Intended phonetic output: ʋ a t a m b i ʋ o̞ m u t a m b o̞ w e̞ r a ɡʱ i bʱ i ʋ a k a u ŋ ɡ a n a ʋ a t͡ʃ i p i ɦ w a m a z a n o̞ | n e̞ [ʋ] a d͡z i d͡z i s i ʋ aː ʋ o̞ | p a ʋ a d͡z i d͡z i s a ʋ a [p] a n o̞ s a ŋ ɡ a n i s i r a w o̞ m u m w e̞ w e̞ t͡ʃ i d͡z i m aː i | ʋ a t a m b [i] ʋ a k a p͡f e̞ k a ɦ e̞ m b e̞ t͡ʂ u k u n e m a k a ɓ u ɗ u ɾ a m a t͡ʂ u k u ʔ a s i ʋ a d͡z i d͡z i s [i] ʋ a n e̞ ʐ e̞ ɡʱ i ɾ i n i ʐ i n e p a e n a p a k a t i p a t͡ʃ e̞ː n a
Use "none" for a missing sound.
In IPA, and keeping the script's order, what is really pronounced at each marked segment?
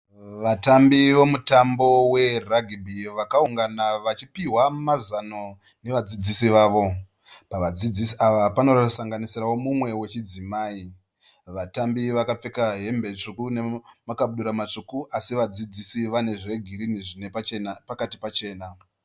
ʋ, p, i, i

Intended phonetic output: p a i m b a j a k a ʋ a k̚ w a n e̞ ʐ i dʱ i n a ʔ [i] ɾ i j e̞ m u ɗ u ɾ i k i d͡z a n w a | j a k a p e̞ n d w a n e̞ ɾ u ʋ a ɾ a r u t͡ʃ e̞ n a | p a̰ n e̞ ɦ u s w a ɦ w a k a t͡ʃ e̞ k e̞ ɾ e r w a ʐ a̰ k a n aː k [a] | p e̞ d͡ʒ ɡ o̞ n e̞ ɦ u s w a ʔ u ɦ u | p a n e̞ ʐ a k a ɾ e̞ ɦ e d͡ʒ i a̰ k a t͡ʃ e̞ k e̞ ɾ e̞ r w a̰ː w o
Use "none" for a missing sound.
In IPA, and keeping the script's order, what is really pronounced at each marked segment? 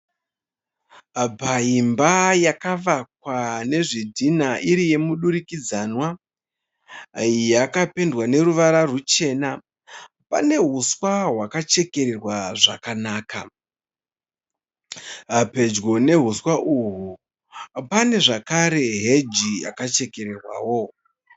i, a

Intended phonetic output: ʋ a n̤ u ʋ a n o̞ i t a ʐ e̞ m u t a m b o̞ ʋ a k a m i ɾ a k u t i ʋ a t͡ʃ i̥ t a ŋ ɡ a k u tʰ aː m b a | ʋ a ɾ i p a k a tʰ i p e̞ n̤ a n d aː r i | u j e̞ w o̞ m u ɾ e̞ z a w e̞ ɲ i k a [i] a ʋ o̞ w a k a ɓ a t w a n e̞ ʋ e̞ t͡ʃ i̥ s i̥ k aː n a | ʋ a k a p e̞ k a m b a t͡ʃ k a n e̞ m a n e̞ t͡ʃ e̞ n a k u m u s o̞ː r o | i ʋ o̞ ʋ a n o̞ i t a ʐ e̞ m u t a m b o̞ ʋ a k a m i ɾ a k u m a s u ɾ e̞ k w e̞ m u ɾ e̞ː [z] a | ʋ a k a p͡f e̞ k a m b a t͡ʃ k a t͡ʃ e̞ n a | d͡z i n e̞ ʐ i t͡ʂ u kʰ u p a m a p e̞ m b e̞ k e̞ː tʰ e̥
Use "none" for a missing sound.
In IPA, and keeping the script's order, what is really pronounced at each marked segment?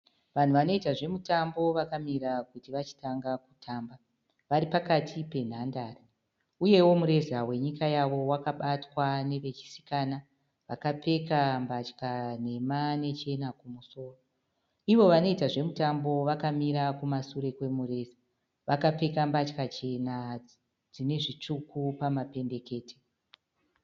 j, z

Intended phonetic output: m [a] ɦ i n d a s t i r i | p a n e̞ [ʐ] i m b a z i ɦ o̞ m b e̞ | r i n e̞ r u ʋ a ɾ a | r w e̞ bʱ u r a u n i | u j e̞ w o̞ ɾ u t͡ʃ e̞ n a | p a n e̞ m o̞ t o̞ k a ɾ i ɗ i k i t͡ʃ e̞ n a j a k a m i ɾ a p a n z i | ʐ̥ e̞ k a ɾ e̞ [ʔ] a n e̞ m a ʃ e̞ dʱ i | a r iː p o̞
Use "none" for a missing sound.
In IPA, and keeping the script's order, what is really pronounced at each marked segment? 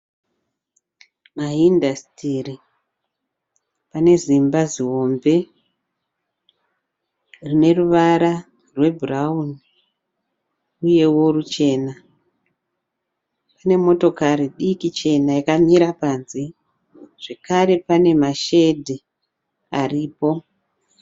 a, z, p

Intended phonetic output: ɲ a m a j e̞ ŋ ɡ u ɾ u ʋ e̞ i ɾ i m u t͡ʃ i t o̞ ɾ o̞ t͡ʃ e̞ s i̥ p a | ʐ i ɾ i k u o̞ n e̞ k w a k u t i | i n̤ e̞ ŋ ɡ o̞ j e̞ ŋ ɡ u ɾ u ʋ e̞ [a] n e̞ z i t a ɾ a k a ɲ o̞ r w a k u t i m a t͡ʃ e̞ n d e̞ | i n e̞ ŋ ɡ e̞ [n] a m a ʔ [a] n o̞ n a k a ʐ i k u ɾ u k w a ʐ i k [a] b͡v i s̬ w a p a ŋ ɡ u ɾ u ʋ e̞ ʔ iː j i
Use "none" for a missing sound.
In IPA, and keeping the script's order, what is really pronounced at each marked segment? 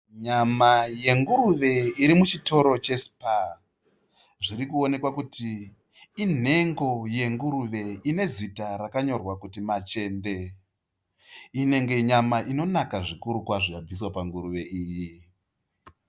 i, ɲ, i, a

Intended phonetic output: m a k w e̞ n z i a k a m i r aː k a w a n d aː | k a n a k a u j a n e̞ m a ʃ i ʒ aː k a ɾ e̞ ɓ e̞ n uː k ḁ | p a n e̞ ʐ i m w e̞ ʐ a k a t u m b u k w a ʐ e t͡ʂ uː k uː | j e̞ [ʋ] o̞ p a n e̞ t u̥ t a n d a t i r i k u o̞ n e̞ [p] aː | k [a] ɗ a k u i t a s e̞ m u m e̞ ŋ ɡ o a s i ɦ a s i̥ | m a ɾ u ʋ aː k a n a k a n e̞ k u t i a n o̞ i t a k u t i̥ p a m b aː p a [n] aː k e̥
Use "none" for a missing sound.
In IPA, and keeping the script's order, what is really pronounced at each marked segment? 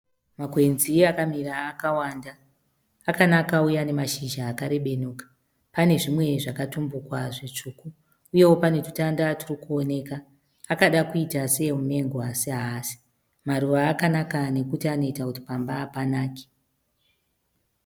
w, k, a, n

